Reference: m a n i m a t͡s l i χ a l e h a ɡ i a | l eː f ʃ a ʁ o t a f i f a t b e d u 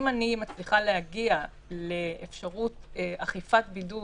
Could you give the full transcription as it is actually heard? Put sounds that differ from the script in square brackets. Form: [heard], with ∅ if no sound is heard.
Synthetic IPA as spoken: m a n i m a t͡s l i χ a l e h a ɡ i a | l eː f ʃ a ʁ [u] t a [χ] i f a t b [i] d u